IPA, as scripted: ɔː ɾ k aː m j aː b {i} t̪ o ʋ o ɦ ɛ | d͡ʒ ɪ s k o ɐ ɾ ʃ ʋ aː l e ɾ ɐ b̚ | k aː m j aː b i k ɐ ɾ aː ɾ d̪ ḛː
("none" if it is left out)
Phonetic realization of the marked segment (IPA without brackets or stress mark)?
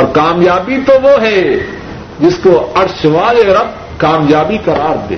i